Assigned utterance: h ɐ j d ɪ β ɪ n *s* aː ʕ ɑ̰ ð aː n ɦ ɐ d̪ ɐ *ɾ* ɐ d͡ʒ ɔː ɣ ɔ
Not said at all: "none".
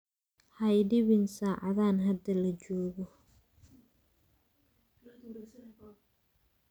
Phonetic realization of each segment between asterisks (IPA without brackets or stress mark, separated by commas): s, l